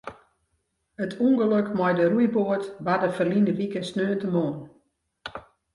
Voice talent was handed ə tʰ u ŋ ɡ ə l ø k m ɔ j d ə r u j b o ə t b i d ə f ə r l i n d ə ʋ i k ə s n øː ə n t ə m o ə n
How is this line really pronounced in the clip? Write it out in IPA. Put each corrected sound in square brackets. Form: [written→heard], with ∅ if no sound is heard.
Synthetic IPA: ə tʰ u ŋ ɡ ə l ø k m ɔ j d ə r u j b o ə t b [i→a] d ə f ə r l i n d ə ʋ i k ə s n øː ə n t ə m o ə n